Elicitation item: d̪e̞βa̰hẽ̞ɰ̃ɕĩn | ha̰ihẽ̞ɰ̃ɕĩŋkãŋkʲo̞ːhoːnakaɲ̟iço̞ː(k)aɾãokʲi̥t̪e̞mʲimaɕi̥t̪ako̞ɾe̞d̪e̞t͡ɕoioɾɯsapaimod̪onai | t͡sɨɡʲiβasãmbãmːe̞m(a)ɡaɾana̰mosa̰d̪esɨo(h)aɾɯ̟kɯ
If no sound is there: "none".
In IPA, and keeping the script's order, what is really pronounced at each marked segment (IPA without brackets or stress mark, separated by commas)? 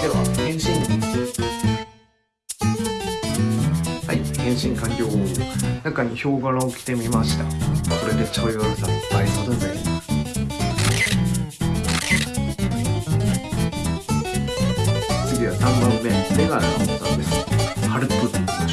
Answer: ɡ, e, h